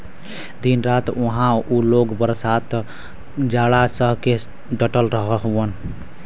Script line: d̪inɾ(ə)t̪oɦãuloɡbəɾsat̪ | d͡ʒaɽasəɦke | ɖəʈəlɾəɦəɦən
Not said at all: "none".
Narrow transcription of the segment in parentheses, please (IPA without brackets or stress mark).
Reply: a